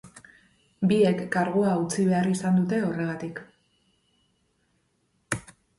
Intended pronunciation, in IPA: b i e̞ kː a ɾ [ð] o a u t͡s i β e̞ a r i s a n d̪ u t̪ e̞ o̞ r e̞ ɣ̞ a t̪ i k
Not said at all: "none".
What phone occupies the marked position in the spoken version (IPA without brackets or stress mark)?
ɣ